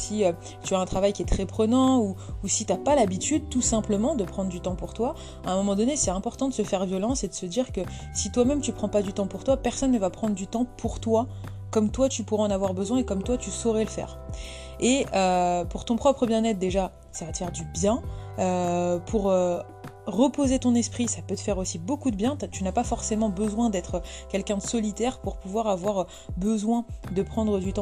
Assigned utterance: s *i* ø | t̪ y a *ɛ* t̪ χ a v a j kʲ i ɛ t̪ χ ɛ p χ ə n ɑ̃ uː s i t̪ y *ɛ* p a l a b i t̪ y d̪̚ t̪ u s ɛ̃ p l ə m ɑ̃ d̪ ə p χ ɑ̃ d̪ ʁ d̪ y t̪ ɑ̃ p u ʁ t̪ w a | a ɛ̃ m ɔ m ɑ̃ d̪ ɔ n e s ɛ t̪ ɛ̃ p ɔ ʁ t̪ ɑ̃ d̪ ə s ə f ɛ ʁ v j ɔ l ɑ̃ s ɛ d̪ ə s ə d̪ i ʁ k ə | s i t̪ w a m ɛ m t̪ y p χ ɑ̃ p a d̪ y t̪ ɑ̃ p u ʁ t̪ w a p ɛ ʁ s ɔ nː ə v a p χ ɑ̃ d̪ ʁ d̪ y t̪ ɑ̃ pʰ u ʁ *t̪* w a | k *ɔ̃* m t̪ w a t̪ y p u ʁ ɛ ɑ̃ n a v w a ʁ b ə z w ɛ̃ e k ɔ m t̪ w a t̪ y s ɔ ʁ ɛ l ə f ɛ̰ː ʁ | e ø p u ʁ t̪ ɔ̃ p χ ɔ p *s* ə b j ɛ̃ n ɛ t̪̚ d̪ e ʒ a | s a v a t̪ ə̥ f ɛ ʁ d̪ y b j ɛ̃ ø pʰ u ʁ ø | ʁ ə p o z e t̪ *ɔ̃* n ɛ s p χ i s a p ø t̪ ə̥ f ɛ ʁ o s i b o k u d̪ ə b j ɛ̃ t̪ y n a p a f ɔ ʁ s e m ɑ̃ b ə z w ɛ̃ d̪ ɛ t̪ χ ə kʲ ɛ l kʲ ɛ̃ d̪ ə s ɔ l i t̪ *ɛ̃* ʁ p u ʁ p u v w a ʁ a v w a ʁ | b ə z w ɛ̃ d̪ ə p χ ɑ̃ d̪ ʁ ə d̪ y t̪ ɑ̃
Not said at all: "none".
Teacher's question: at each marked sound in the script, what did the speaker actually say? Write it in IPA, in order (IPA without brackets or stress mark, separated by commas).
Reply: i, ɛ̃, a, t̪, ɔ, χ, ɔ̃, ɛ